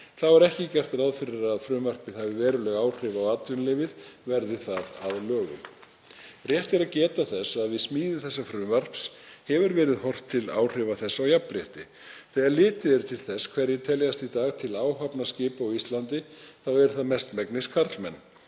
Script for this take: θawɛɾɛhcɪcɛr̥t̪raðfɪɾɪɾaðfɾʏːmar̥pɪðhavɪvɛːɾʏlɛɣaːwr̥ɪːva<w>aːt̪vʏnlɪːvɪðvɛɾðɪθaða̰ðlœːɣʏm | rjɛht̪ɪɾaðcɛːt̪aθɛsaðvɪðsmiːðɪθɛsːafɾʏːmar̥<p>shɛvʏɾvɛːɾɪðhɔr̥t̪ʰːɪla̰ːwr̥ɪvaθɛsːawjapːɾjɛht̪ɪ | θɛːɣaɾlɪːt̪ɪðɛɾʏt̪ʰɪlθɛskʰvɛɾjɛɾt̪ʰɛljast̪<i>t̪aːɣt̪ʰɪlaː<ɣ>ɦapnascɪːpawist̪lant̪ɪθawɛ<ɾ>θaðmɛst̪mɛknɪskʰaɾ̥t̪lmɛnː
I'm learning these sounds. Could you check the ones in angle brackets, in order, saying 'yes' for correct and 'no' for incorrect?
yes, yes, yes, no, yes

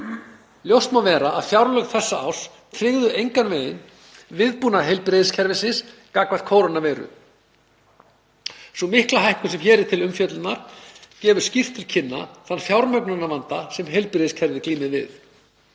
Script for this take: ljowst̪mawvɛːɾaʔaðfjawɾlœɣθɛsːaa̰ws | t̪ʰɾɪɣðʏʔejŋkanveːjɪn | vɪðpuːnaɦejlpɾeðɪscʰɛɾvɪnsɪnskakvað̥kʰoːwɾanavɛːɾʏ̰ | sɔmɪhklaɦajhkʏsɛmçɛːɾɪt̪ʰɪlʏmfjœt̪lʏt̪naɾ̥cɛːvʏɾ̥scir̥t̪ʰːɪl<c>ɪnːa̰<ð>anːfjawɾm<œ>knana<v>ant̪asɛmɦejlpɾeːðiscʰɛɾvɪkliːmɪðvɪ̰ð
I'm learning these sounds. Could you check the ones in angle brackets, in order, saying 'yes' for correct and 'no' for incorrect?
no, no, yes, yes

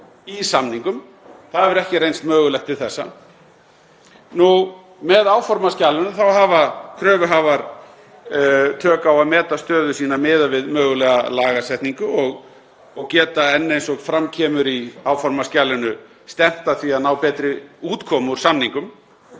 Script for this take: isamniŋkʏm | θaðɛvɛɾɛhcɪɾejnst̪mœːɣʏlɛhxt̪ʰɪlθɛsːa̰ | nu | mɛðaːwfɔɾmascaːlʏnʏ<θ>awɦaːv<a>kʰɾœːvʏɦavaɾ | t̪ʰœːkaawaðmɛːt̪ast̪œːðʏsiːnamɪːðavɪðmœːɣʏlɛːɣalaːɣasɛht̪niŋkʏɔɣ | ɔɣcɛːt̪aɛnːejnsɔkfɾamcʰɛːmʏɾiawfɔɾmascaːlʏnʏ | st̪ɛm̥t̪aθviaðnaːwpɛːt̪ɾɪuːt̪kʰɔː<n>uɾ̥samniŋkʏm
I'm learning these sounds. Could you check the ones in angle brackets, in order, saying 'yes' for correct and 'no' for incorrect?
yes, yes, no

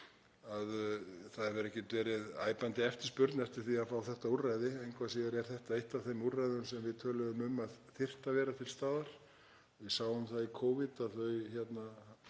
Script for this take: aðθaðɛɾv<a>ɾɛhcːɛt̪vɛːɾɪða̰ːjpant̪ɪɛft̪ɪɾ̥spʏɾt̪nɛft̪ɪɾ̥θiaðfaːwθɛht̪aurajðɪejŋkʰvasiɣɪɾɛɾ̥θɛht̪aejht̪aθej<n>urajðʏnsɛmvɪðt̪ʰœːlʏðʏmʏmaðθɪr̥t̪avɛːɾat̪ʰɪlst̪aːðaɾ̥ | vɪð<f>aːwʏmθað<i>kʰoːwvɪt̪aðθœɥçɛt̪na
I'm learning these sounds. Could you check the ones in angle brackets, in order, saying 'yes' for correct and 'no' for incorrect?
no, no, no, yes

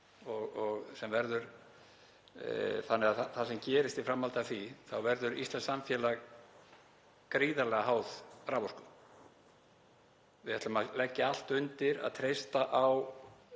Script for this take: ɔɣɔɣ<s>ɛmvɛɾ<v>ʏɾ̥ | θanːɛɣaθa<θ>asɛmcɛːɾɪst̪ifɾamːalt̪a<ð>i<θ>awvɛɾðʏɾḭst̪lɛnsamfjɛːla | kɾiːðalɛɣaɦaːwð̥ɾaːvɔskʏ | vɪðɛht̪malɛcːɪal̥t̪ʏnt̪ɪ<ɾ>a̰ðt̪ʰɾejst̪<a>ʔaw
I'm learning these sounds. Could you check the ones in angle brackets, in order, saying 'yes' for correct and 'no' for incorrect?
yes, no, yes, no, yes, yes, yes

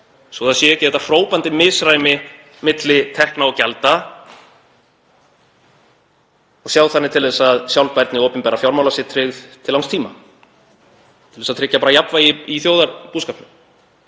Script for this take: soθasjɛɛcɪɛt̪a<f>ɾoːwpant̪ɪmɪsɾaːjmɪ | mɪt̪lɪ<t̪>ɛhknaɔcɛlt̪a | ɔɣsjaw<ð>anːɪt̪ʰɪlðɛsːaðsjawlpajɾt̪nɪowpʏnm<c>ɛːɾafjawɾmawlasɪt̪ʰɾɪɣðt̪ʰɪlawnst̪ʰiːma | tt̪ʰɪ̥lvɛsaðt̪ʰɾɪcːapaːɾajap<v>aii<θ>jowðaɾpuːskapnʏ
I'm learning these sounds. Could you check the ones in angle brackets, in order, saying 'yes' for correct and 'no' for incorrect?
yes, no, no, no, yes, yes

